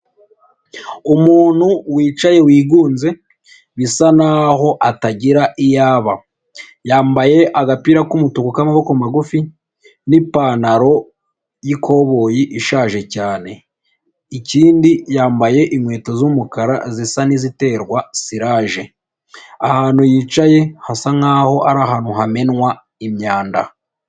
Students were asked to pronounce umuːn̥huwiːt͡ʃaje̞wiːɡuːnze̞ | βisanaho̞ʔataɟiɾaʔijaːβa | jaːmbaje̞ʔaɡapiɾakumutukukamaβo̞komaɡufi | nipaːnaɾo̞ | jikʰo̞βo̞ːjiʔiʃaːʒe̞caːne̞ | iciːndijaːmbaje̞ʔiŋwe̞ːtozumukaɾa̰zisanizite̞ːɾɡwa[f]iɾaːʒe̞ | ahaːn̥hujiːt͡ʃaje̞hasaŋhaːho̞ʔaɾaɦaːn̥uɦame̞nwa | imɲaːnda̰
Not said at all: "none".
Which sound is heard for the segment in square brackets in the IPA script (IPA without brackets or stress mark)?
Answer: s